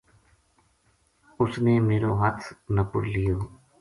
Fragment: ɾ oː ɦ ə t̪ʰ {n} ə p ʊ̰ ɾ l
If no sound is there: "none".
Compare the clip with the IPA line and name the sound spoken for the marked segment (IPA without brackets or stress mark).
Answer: n